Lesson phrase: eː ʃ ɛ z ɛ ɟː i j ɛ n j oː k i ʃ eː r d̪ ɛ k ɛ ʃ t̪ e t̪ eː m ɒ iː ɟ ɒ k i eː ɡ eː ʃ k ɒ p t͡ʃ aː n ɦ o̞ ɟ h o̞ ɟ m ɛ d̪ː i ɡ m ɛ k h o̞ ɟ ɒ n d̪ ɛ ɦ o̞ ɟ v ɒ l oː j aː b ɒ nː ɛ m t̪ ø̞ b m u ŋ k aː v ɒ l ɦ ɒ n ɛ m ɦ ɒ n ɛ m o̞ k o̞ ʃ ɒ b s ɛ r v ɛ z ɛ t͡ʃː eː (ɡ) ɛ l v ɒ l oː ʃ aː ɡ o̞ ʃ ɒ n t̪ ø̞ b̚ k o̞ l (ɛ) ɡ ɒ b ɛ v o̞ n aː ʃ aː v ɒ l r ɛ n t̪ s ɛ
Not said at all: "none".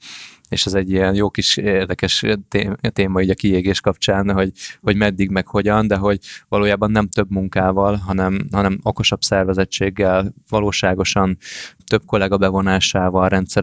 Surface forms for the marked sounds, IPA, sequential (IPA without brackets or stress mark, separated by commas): ɡː, ɛ